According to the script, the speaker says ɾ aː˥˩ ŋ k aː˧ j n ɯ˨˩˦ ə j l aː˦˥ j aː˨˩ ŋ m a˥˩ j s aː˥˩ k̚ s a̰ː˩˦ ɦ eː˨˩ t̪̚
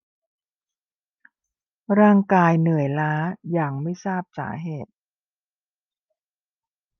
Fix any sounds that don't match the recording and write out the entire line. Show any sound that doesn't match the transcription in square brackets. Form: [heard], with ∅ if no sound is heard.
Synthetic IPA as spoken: ɾ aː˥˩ ŋ k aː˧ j n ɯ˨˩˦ ə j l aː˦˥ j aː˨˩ ŋ m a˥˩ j s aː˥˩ [p̚] s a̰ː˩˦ ɦ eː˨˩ t̪̚